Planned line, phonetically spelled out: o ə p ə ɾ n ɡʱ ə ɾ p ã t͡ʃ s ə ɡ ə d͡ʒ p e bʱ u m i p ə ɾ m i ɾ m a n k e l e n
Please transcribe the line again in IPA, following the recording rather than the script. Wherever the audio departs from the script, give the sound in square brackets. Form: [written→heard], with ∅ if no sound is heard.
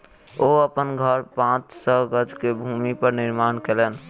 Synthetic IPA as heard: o ə p ə [ɾ→∅] n ɡʱ ə ɾ p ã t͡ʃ s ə ɡ ə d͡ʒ [p→k] e bʱ u m i p ə ɾ [m→n] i ɾ m a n k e l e n